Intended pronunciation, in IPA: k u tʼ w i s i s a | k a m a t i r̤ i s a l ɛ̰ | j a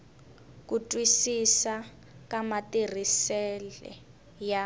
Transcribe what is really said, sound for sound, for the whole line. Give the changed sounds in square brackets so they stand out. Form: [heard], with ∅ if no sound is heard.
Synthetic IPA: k u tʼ w i s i s a | k a m a t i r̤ i s [ɛ] l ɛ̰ | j a